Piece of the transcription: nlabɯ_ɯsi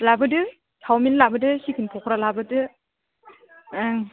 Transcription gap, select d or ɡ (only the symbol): d